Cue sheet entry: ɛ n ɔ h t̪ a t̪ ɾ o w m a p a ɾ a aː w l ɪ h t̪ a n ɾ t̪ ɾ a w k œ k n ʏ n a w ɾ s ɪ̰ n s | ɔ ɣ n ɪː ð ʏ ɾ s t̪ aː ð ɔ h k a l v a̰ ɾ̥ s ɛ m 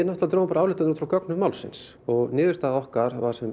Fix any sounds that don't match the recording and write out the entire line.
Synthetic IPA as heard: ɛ n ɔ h t̪ a t̪ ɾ o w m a p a ɾ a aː w l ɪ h t̪ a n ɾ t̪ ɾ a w k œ k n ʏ m a w l s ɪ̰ n s | ɔ ɣ n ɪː ð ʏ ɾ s t̪ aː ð ɔ h k a ɾ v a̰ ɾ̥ s ɛ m